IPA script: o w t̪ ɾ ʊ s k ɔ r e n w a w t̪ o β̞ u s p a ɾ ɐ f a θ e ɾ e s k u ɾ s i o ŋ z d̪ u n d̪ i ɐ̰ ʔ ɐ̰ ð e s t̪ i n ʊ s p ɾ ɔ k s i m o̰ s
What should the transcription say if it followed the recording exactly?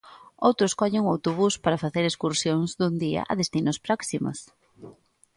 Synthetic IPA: o w t̪ ɾ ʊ s k ɔ ʎ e ŋ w a w t̪ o β̞ u s p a ɾ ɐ f a θ e ɾ e s k u ɾ s j o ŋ z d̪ u n d̪ i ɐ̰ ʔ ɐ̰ ð e s t̪ i n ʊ s p ɾ ɔ k s i m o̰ s